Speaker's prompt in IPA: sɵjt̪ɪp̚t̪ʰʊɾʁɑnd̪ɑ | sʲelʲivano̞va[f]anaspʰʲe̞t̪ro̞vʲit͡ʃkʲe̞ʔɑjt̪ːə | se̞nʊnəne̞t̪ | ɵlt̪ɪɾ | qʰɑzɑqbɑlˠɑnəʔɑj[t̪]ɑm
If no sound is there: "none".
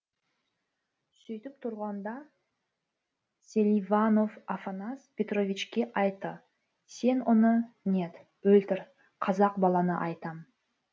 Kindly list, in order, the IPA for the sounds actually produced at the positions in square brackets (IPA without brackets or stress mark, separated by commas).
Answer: f, t̪